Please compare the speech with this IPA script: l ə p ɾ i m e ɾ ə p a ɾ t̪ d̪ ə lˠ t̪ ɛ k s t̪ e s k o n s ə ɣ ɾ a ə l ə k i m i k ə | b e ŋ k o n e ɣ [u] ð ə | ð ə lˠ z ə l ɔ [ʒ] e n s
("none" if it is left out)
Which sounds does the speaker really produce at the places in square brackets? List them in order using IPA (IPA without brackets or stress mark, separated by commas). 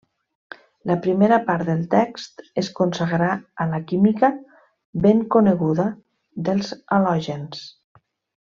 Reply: u, ʒ